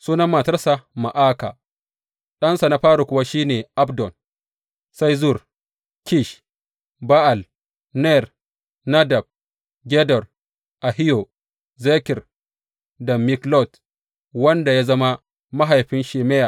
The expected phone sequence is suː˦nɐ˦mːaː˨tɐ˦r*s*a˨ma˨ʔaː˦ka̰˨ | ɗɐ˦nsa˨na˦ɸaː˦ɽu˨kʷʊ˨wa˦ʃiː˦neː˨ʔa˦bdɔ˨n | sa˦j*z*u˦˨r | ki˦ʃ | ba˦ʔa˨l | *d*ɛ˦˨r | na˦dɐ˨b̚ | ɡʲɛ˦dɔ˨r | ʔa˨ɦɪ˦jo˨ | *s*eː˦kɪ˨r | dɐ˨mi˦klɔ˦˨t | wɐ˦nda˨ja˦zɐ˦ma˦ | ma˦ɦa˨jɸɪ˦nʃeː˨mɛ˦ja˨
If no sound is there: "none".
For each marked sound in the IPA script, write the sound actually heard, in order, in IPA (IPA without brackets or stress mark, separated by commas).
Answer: s, z, n, z